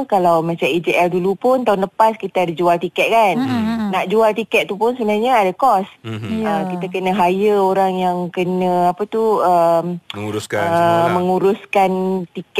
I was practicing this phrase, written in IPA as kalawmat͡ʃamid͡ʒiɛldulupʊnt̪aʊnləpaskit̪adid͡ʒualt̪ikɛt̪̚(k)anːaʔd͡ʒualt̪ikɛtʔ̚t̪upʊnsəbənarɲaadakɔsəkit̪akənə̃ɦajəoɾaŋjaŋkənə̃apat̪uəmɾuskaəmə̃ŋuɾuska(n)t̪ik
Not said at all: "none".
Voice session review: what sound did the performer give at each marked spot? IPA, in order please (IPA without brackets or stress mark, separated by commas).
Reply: k, n